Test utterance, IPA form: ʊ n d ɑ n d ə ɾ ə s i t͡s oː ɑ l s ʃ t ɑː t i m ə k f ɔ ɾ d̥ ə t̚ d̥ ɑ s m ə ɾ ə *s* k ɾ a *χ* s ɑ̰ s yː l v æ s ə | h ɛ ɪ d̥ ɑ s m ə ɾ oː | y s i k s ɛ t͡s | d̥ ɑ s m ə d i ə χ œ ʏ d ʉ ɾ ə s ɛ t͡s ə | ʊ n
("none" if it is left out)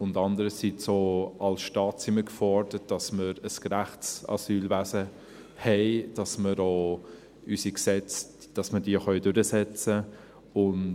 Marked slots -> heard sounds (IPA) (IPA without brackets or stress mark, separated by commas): s, χ